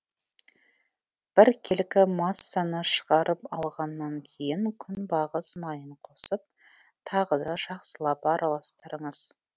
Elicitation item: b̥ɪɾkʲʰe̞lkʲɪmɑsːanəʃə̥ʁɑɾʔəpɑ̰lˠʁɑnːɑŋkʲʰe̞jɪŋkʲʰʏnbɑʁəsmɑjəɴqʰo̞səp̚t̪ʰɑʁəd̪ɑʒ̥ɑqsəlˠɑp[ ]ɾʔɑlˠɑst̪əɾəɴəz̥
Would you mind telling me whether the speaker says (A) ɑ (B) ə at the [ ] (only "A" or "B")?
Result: A